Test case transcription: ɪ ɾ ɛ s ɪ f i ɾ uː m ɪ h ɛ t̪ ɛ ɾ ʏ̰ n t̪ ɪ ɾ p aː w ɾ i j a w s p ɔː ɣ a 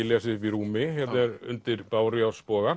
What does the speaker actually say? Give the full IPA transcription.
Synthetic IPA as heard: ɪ l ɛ s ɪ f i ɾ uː m ɪ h ɛ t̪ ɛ ɾ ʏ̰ n t̪ ɪ ɾ p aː w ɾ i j a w s p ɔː ɣ a

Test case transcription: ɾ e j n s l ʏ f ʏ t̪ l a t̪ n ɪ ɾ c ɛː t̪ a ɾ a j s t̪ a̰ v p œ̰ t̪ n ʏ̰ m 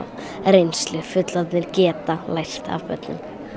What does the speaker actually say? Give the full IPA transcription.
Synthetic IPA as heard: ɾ e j n s l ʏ f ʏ t̪ l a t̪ n ɪ ɾ c ɛː t̪ a l a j s t̪ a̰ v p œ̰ t̪ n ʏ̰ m

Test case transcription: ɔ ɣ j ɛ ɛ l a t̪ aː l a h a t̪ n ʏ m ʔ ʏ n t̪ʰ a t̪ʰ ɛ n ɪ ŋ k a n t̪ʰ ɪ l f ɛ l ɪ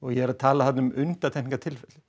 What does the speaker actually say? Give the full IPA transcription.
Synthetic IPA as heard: ɔ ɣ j ɛ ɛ ɾ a t̪ʰ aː l a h a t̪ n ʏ m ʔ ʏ n t̪ a t̪ʰ ɛ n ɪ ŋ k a t̪ʰ ɪ l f ɛ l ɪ

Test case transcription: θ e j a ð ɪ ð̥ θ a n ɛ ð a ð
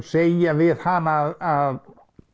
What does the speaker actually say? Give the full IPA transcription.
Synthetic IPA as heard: s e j a v ɪ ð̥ h a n a ð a ð

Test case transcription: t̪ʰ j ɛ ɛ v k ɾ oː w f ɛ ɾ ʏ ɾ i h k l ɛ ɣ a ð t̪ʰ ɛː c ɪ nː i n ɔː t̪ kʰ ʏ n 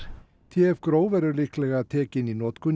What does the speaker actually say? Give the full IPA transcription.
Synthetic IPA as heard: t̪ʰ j ɛ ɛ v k ɾ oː w v ɛ ɾ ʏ l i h k l ɛ ɣ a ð t̪ʰ ɛː c ɪ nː i n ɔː t̪ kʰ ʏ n

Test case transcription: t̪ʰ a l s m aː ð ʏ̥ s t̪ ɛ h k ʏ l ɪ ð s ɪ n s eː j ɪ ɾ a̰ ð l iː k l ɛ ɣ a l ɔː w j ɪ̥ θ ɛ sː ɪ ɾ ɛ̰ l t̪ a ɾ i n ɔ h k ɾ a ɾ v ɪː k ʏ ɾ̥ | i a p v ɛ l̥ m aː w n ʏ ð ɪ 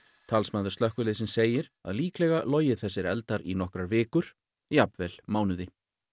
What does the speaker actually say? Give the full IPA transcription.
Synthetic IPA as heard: t̪ʰ a l s m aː ð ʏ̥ s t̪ œ h k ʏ l ɪ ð s ɪ n s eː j ɪ ɾ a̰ ð l iː k l ɛ ɣ a l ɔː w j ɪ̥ θ ɛ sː ɪ ɾ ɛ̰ l t̪ a ɾ i n ɔ h k ɾ a ɾ v ɪː k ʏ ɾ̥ | i a p v ɛ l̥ m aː w n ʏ ð ɪ

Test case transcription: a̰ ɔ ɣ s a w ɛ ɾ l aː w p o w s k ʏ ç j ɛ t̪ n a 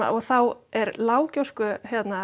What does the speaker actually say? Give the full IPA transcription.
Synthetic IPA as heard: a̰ ɔ ɣ θ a w ɛ ɾ l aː w c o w s k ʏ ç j ɛ t̪ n a

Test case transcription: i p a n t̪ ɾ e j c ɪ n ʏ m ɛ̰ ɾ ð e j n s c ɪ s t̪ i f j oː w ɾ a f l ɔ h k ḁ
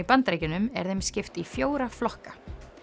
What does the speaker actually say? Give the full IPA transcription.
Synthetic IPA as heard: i p a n t̪ ɾ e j c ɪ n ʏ m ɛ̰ ɾ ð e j m s c ɪ f t̪ i f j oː w ɾ a f l ɔ h k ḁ

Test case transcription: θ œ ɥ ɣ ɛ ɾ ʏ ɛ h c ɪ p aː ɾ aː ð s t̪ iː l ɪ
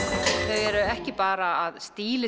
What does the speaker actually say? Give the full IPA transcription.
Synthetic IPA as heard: θ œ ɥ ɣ ɛ ɾ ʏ ɛ h c ɪ p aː ɾ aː ð s t̪ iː l ɪ

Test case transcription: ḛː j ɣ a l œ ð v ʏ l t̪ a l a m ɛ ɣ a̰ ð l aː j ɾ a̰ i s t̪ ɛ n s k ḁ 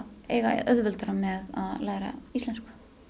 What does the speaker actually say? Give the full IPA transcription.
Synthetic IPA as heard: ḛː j ɣ a œ ð v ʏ l t̪ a ɾ a m ɛ ð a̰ ð l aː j ɾ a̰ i s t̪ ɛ n s k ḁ

